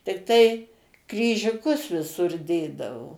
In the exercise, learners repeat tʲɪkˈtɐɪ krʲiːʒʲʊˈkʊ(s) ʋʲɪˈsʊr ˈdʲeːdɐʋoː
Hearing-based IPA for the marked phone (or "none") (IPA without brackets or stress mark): s